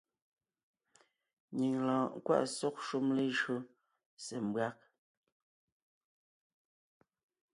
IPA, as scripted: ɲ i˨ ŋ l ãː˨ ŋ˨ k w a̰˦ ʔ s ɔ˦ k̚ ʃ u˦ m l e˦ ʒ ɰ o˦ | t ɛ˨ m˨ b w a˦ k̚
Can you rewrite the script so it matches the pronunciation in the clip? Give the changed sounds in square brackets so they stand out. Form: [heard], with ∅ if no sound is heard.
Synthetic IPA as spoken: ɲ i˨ ŋ l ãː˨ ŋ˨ k w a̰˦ ʔ s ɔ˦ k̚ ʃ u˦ m l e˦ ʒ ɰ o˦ | [s] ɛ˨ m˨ b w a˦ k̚